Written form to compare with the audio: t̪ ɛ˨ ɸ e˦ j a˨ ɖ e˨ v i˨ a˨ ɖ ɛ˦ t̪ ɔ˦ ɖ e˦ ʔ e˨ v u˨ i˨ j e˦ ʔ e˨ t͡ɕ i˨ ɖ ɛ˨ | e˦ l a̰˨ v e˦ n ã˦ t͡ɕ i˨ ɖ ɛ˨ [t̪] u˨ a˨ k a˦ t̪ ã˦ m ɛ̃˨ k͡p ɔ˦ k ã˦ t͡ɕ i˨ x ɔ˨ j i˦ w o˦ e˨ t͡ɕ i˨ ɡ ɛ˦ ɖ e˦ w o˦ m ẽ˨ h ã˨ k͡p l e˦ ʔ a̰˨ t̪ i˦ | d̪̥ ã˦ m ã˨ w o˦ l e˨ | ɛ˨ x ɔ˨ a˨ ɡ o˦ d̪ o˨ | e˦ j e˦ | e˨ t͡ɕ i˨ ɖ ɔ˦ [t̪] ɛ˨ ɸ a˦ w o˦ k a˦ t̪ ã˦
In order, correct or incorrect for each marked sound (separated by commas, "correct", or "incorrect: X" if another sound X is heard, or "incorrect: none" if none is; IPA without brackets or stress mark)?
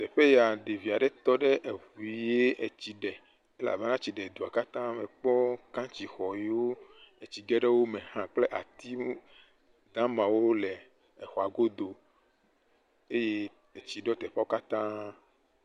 incorrect: d̪, correct